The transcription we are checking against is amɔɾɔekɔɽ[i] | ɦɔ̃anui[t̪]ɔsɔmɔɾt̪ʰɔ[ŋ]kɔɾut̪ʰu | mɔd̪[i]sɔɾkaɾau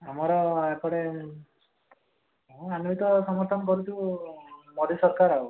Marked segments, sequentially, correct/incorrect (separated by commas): incorrect, correct, incorrect, correct